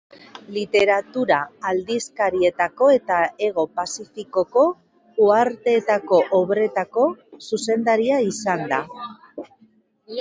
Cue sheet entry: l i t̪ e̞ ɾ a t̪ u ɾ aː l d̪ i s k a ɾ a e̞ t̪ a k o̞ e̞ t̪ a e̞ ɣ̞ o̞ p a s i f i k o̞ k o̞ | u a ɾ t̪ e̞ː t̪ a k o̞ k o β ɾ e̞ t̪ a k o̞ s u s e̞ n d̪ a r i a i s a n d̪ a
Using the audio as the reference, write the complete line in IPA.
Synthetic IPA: l i t̪ e̞ ɾ a t̪ u ɾ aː l d̪ i s k a ɾ i e̞ t̪ a k o̞ e̞ t̪ a e̞ ɣ̞ o̞ p a s i f i k o̞ k o̞ | u a ɾ t̪ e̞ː t̪ a k o̞ ʔ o β ɾ e̞ t̪ a k o̞ s u s e̞ n d̪ a ɾ i a i s a n d̪ a